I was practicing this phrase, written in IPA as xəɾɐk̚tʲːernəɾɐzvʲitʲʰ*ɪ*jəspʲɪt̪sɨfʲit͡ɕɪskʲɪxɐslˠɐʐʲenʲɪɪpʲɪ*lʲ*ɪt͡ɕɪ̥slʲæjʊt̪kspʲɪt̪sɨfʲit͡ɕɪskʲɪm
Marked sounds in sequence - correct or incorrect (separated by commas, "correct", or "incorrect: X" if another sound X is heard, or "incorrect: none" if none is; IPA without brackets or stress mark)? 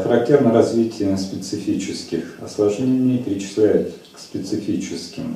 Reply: correct, incorrect: ɾʲ